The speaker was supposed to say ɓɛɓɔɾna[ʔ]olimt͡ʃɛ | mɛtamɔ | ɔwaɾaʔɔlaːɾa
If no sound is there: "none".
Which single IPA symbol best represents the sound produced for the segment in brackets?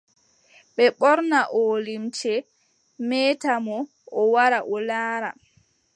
ʔ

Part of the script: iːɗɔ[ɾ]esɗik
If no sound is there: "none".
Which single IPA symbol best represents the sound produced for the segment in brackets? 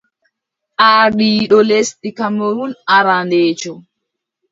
l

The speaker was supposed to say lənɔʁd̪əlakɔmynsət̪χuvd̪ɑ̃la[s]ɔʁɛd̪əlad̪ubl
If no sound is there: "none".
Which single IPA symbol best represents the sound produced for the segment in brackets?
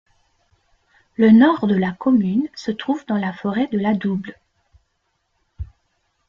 f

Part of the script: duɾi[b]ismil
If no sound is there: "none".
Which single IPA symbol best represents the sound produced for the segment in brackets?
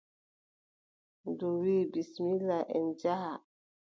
b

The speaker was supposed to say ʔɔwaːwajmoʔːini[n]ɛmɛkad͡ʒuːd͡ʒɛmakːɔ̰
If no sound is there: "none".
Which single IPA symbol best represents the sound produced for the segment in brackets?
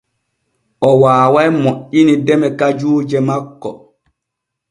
d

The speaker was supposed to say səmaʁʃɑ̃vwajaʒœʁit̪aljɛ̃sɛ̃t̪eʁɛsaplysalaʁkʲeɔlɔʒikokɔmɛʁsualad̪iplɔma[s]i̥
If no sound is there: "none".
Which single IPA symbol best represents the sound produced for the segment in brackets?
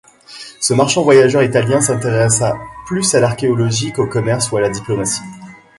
s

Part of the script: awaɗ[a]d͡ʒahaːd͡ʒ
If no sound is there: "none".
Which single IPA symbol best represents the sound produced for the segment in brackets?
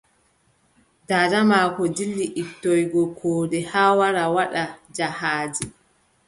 a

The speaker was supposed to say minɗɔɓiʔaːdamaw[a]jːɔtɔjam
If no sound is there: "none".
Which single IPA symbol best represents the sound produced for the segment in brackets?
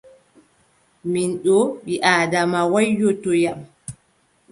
a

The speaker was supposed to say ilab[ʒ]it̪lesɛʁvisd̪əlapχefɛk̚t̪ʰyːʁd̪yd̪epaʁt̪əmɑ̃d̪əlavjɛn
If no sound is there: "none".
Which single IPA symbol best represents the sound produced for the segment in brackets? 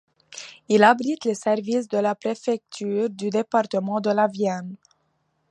ʁ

